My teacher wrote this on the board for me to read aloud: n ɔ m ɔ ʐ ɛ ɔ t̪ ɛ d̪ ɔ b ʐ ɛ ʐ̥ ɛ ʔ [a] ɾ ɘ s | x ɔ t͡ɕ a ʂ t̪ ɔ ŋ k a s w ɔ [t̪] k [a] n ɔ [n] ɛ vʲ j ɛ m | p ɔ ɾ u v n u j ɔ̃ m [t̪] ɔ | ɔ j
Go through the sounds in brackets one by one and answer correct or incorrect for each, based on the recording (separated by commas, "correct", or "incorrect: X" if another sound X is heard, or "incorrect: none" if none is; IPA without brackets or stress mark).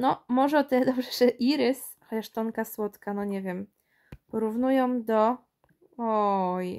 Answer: incorrect: i, correct, correct, incorrect: ɲ, incorrect: d̪